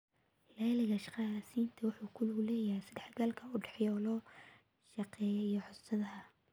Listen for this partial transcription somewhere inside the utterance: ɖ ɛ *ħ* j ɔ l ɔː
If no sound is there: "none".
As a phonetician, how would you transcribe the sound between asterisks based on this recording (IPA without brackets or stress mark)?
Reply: ħ